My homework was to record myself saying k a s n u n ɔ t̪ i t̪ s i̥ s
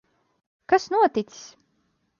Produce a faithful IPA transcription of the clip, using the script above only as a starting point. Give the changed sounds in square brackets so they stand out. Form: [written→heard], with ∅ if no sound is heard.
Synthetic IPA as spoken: k a s n u [n→∅] ɔ t̪ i t̪ s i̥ s